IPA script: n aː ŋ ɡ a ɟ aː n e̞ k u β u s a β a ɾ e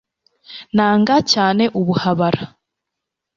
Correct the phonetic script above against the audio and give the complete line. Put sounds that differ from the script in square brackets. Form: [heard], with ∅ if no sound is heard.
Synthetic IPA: n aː ŋ ɡ a [c] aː n e̞ [ʔ] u β u [h] a β a ɾ [a]